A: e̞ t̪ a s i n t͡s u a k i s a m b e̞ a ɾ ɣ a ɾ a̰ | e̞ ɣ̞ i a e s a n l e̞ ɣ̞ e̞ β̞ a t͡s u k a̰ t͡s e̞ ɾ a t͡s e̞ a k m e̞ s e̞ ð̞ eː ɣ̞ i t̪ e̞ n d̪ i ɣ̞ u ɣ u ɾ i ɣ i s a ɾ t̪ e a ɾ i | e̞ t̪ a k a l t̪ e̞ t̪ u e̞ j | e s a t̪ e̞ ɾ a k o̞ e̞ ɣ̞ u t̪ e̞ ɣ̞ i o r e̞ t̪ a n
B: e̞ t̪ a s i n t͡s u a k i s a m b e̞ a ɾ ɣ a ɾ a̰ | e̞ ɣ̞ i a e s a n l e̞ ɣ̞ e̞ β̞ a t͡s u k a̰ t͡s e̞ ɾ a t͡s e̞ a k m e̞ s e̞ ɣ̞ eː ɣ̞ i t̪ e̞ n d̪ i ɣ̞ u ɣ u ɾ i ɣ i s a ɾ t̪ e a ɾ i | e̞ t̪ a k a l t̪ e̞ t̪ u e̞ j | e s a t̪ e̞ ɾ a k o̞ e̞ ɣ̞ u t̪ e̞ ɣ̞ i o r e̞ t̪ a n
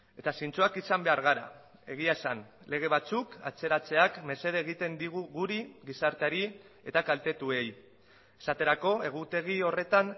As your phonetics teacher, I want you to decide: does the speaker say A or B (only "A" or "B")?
A